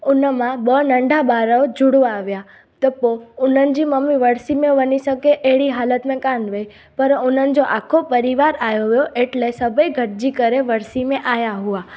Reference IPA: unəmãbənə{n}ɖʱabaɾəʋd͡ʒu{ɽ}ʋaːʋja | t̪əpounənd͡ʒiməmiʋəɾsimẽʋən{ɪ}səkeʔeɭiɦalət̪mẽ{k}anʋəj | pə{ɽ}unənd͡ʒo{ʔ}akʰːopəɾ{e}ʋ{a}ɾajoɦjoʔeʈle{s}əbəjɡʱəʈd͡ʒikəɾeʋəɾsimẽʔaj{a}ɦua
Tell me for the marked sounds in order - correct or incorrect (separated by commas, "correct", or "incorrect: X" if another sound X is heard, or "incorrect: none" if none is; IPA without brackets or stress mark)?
incorrect: ɳ, correct, incorrect: i, correct, incorrect: ɾ, correct, incorrect: i, correct, correct, correct